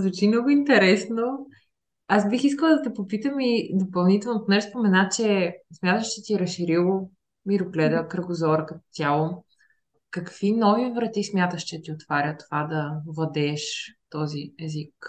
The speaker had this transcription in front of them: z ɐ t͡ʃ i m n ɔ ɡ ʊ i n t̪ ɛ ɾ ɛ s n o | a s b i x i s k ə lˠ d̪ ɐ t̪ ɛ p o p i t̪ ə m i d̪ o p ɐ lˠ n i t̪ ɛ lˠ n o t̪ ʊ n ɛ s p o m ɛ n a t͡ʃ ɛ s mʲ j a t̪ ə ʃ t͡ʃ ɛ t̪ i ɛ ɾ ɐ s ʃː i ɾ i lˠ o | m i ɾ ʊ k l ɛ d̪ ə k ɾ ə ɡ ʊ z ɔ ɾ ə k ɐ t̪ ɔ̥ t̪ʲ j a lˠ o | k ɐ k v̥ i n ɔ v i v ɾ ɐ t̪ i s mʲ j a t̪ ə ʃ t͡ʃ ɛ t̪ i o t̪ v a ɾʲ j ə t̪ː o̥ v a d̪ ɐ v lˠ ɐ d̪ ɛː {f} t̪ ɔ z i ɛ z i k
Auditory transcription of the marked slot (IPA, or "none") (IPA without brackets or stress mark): ʃ